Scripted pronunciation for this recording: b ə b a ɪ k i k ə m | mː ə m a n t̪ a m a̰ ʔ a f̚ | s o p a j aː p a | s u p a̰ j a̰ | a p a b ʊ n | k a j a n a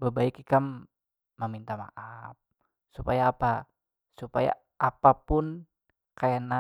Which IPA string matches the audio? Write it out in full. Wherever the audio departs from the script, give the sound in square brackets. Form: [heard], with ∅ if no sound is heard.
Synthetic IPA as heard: b ə b a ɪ k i k [a] m | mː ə m [i] n t̪ a m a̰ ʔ a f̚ | s [u] p a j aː p a | s u p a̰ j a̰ | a p a [p] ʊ n | k a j a n a